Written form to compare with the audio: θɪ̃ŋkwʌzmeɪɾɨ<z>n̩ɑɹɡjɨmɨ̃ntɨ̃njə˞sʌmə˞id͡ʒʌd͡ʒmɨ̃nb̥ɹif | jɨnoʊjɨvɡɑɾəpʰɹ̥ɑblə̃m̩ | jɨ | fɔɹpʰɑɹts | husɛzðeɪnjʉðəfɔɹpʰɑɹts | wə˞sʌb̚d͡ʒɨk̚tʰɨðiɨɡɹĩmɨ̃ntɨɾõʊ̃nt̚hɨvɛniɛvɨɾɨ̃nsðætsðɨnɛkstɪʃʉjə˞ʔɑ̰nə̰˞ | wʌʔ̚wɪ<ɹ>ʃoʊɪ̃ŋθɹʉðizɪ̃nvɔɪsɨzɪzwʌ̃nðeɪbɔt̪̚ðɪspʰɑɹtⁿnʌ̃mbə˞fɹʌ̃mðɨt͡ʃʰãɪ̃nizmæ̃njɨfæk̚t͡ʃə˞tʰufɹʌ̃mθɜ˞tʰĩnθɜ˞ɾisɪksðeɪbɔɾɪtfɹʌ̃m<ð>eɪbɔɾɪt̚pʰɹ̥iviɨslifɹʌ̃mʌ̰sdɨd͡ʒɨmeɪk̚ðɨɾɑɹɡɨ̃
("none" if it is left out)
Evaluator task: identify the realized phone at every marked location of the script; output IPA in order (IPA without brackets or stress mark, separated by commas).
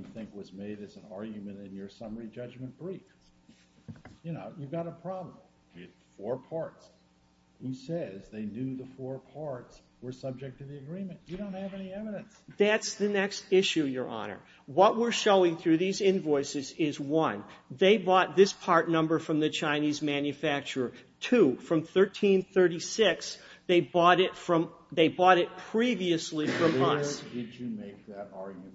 z, ɹ, ð